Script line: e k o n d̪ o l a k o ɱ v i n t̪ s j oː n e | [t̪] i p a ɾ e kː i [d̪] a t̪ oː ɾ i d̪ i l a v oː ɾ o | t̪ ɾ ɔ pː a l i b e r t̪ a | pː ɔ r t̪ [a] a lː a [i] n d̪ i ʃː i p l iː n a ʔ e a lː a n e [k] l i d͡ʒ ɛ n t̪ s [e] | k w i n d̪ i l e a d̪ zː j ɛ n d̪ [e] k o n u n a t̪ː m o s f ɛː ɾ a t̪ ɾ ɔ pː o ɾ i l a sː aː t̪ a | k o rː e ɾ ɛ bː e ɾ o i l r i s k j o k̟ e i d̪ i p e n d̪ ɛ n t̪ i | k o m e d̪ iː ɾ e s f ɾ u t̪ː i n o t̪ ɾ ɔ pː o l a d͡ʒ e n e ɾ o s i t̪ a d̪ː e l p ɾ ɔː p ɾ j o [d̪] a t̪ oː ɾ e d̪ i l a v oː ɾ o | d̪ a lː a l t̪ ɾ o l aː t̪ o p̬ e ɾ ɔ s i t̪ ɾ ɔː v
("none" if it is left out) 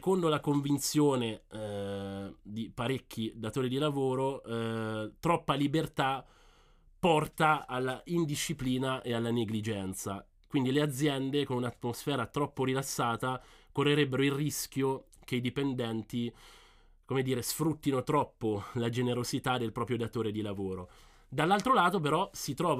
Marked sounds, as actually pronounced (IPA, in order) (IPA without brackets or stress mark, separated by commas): d̪, d̪, a, i, ɡ, a, e, d̪